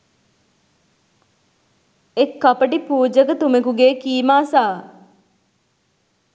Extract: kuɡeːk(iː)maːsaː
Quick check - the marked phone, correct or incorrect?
correct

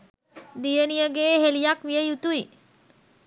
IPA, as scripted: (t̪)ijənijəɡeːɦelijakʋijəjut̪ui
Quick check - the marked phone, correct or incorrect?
incorrect: d̪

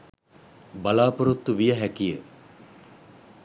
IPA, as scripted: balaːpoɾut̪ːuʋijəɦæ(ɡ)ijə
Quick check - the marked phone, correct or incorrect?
incorrect: k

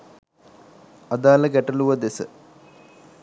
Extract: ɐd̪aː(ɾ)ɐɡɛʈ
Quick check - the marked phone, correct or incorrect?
incorrect: l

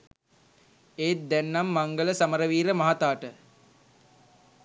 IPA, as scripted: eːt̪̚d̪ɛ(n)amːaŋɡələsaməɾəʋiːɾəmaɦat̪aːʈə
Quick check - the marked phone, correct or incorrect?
incorrect: nː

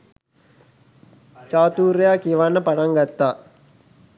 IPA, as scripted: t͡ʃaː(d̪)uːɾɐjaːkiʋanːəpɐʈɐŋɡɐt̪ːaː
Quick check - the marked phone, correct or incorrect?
incorrect: t̪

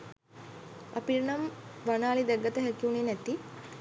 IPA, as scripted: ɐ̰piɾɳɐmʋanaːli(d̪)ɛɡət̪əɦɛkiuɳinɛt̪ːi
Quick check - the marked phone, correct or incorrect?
correct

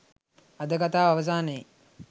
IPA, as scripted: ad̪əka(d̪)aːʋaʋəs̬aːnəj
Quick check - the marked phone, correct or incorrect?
incorrect: t̪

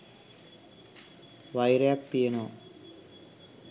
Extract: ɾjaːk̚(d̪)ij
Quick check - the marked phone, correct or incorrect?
incorrect: t̪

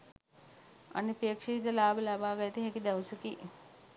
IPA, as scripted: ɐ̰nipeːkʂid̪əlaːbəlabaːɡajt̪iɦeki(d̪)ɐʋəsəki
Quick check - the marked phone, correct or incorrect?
correct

